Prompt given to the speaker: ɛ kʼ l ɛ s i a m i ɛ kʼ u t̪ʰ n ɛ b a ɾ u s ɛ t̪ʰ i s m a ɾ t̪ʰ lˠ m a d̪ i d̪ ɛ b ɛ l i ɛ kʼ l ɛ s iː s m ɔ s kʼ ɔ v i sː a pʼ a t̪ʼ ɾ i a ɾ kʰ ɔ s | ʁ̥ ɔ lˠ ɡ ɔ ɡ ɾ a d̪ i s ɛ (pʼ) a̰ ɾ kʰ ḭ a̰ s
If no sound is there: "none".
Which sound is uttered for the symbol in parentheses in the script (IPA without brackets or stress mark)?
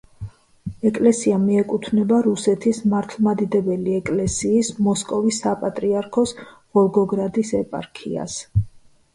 pʼ